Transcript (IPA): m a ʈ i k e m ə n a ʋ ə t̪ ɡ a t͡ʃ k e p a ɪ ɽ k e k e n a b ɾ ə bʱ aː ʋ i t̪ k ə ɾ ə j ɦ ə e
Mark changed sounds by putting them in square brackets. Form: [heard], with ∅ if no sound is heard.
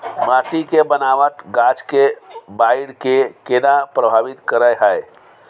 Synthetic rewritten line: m a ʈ i k e [b] ə n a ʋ ə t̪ ɡ a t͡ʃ k e [b] a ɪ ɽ k e k e n a [p] ɾ ə bʱ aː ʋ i t̪ k ə ɾ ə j ɦ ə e